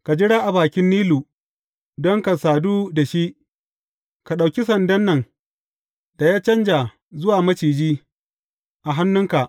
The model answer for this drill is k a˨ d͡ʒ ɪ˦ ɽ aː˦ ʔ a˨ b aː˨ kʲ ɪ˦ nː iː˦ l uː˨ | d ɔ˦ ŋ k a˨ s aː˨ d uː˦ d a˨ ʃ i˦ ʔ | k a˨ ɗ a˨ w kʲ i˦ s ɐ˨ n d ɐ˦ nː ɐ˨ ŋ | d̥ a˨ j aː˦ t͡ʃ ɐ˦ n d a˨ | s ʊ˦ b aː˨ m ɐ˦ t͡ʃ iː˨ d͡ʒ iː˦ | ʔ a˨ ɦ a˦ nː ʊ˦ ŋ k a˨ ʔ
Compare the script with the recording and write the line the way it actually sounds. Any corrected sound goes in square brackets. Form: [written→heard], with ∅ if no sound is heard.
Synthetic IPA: k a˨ d͡ʒ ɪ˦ ɽ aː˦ ʔ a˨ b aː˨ kʲ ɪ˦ nː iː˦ l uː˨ | d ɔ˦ ŋ k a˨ s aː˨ d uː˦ d a˨ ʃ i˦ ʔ | k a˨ ɗ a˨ w kʲ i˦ s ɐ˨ n d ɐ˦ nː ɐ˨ ŋ | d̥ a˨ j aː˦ t͡ʃ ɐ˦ n [d→d͡ʒ] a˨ | [s→z] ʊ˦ [b→w] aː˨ m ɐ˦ t͡ʃ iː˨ d͡ʒ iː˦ | ʔ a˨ ɦ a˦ nː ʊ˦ ŋ k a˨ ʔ